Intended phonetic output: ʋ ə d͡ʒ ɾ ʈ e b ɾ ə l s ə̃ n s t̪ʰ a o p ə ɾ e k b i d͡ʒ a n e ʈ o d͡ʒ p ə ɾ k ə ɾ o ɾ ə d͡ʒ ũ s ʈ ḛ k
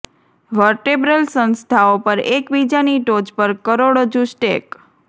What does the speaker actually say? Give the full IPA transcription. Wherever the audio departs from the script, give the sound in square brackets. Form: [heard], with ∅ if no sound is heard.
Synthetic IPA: ʋ ə [∅] ɾ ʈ e b ɾ ə l s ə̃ n s t̪ʰ a o p ə ɾ e k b i d͡ʒ a n [i] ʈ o d͡ʒ p ə ɾ k ə ɾ o [ɽ] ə d͡ʒ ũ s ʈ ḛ k